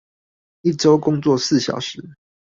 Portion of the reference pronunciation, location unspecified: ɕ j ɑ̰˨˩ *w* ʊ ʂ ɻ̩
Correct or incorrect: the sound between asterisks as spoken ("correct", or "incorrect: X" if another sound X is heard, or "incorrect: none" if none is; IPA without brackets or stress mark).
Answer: incorrect: none